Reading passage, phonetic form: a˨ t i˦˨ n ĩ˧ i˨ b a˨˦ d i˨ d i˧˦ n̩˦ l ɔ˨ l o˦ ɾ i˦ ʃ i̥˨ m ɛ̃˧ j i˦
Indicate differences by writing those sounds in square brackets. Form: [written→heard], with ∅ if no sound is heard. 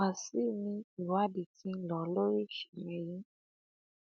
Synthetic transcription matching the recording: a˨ [t→s] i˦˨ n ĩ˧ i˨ [b→w] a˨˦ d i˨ [d→t] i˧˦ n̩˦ l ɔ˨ l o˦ ɾ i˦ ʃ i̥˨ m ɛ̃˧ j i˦

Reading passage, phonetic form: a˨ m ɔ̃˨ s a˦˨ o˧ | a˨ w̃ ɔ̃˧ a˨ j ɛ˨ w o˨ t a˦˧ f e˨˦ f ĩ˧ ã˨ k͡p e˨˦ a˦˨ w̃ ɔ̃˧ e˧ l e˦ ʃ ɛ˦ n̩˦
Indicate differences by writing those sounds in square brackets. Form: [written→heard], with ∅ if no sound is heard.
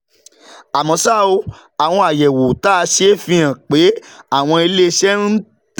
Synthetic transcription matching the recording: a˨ m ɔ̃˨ s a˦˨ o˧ | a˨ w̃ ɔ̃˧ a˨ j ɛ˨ w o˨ t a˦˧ [f→ʃ] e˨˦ f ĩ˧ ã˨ k͡p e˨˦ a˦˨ w̃ ɔ̃˧ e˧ l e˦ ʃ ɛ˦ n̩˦

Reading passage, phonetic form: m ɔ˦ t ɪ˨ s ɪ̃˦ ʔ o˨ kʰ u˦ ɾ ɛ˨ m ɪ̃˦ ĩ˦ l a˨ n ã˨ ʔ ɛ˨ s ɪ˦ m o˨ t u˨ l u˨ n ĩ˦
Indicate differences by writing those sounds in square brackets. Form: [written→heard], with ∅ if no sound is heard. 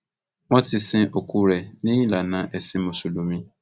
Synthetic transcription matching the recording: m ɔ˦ t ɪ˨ s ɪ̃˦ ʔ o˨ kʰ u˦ ɾ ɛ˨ [m→n] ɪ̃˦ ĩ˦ l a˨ n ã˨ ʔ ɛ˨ s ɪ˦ m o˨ [t→s] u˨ l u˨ [n→m] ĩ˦

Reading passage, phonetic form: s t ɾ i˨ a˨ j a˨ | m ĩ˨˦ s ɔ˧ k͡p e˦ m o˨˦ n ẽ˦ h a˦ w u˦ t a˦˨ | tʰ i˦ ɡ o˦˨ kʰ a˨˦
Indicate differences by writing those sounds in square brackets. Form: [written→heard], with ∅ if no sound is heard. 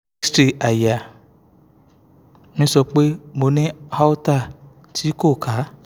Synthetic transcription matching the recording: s t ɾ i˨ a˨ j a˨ | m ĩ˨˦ s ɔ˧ k͡p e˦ m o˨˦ n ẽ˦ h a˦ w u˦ t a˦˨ | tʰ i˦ [ɡ→k] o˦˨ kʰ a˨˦

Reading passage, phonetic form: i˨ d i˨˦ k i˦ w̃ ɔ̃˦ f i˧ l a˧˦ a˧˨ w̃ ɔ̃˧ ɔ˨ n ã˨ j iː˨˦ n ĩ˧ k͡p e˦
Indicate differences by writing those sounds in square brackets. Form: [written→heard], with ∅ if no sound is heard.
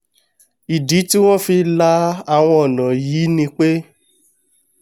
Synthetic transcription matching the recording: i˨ d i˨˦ [k→t] i˦ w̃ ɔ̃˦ f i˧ l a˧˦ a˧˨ w̃ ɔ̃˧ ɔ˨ n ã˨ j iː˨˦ n ĩ˧ k͡p e˦

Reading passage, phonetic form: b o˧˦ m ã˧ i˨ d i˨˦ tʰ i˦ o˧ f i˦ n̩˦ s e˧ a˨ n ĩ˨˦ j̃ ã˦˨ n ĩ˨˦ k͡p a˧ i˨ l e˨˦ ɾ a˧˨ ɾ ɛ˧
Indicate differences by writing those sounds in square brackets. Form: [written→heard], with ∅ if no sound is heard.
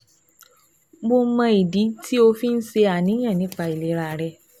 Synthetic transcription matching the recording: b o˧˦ m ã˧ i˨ d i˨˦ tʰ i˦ o˧ f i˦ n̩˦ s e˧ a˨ n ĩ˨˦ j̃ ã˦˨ n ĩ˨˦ k͡p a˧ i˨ l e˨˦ ɾ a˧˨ ɾ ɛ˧

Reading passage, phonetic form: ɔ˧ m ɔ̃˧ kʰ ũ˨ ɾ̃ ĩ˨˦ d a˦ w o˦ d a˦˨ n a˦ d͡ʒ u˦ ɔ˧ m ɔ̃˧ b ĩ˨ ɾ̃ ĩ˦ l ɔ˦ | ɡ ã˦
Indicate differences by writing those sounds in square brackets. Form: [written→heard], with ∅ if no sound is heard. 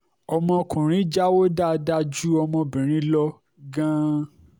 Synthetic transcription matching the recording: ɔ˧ m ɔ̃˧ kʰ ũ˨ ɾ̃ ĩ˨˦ [d→d͡ʒ] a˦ w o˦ d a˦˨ [n→d] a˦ d͡ʒ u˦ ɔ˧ m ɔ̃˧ b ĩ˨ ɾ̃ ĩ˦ l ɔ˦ | ɡ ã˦

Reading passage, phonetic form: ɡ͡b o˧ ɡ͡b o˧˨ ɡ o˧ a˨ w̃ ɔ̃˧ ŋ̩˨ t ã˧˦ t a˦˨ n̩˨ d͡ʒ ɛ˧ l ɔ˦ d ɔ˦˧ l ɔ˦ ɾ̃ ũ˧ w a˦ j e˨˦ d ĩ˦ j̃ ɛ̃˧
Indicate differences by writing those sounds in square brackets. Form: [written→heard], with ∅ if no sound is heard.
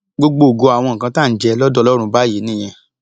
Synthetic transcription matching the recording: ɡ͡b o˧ ɡ͡b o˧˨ ɡ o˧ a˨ w̃ ɔ̃˧ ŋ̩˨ [t→k] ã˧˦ t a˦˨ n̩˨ d͡ʒ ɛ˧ l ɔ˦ d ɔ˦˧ l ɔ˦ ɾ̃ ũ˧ [w→b] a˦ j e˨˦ [d→n] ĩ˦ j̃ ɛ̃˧

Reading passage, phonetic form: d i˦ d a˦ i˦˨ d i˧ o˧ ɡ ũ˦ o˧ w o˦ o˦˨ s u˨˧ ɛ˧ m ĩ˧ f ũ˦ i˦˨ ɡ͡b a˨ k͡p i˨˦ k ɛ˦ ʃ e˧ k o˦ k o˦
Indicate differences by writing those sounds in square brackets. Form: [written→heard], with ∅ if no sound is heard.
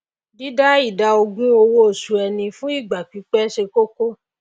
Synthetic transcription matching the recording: d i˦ d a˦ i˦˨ d [i˧→a˧] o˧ ɡ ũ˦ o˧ w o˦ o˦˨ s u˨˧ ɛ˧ [m→n] ĩ˧ f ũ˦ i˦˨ ɡ͡b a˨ k͡p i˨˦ [k→k͡p] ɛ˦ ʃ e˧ k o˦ k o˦

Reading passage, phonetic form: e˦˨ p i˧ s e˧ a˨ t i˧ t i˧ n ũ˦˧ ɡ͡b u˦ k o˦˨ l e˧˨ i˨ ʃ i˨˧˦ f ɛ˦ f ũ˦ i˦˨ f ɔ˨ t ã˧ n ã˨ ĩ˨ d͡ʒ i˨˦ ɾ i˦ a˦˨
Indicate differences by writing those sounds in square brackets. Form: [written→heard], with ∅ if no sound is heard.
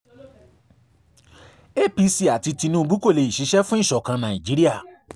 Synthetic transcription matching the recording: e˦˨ p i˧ s [e˧→i˧] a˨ t i˧ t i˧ n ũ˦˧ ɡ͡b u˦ k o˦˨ l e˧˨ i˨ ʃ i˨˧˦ [f→ʃ] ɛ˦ f ũ˦ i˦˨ [f→ʃ] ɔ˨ [t→k] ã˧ n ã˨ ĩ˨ d͡ʒ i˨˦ ɾ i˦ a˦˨

